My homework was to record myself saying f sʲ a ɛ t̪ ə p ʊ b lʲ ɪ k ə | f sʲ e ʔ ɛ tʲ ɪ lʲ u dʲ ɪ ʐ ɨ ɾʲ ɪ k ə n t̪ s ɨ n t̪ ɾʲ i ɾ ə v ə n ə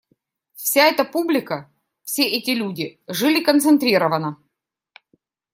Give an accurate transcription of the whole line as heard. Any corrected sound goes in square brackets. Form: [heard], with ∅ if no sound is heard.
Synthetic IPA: f sʲ a ɛ t̪ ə p [u] b lʲ ɪ k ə | f sʲ e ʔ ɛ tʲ ɪ lʲ u dʲ ɪ ʐ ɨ [lʲ] ɪ k ə n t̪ s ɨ n t̪ ɾʲ i ɾ ə v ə n ə